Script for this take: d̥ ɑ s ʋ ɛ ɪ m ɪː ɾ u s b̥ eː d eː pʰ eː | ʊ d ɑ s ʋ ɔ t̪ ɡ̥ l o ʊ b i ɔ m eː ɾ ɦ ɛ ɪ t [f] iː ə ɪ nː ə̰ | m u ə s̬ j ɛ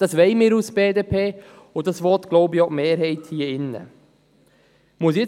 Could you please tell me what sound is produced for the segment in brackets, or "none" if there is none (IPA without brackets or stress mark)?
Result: h